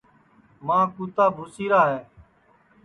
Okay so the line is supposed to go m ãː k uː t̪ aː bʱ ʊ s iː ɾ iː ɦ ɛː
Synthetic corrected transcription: m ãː k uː t̪ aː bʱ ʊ s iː ɾ aː ɦ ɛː